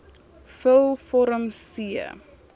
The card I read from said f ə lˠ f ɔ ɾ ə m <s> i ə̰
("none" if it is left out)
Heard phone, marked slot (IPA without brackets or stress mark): s